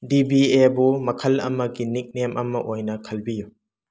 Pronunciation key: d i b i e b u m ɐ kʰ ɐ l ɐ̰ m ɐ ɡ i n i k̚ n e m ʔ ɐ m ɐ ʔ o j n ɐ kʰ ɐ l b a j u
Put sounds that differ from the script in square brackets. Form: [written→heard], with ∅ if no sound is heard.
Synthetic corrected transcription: d i b i e b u m ɐ kʰ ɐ l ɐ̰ m ɐ ɡ i n i k̚ n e m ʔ ɐ m ɐ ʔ o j n ɐ kʰ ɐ l b [a→i] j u